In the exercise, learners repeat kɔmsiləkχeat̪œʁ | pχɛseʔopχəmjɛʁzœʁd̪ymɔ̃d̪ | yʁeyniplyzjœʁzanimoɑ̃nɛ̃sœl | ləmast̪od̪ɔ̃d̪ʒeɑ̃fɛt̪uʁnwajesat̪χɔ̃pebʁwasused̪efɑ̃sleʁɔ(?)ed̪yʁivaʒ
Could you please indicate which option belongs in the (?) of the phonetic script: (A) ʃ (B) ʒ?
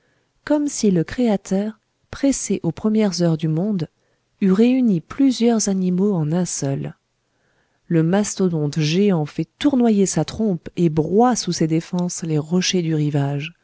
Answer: A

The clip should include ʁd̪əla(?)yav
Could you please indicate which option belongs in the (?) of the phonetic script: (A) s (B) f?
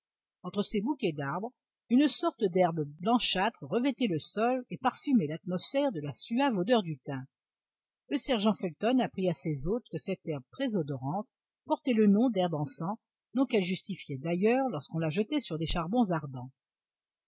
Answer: A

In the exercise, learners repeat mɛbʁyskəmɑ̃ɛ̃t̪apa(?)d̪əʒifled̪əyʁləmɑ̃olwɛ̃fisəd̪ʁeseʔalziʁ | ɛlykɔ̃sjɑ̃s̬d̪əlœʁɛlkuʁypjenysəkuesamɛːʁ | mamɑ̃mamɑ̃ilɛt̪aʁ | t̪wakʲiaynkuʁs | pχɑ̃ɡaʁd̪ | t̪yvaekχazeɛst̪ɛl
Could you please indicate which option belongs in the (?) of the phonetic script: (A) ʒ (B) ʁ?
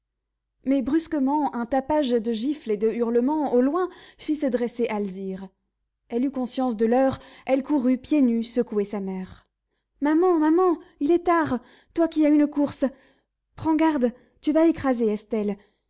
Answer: A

